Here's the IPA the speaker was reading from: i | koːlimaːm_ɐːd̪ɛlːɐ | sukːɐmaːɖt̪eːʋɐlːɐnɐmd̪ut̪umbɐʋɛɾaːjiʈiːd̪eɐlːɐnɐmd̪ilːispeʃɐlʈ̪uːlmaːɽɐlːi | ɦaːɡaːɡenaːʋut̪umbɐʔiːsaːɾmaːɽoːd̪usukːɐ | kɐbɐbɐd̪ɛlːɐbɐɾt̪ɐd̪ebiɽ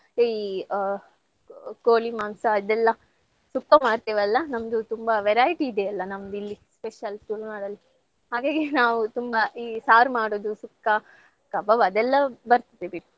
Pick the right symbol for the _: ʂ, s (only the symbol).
s